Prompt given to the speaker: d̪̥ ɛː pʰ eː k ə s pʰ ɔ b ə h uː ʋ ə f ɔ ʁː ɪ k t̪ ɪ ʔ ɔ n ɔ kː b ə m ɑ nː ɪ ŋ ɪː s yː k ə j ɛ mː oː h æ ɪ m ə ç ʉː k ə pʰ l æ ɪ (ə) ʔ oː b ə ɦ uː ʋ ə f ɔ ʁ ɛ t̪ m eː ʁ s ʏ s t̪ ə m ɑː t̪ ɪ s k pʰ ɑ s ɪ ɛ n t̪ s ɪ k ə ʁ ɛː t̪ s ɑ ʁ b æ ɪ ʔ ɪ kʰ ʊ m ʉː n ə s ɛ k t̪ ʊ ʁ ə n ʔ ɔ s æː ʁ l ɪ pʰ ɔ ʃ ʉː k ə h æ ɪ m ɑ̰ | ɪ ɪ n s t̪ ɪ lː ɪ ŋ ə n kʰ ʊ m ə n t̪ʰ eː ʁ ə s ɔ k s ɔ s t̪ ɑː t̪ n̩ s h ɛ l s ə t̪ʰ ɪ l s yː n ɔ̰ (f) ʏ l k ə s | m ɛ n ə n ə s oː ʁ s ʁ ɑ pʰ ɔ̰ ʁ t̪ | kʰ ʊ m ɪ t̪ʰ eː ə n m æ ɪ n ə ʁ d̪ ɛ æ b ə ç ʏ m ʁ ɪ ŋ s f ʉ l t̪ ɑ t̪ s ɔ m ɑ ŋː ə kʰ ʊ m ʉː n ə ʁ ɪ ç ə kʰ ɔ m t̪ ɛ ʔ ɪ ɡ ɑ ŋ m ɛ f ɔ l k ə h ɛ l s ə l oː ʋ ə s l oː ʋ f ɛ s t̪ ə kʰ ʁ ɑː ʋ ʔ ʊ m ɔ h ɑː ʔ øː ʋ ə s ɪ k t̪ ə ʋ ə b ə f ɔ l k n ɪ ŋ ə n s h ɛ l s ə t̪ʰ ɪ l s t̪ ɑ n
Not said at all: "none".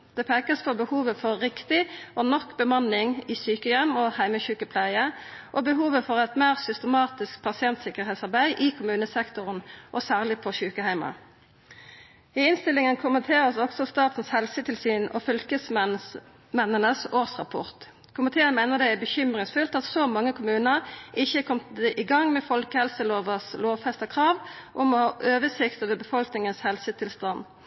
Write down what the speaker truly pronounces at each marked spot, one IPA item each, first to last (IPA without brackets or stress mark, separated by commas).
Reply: ə, f